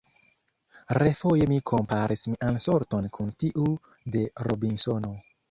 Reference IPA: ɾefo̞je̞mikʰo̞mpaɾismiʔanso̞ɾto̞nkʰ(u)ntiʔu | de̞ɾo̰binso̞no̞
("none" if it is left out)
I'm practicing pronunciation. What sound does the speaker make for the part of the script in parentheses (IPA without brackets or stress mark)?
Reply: u